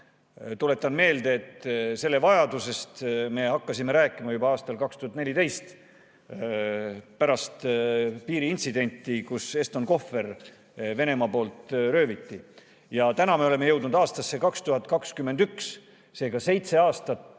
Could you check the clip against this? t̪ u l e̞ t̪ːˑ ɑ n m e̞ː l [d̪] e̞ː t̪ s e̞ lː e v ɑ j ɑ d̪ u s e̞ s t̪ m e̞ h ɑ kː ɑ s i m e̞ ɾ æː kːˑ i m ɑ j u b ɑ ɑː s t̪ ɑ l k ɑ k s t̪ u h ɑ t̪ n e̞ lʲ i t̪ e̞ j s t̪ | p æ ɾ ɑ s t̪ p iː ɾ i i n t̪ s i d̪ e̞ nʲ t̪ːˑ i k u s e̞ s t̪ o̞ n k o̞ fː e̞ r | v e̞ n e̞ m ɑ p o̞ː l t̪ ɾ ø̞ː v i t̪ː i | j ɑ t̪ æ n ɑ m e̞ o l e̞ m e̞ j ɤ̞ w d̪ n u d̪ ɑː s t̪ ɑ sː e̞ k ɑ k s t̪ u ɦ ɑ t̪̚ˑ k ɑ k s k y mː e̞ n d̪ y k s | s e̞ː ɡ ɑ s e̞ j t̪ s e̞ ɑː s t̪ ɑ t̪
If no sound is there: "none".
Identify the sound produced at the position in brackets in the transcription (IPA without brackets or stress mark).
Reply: d̪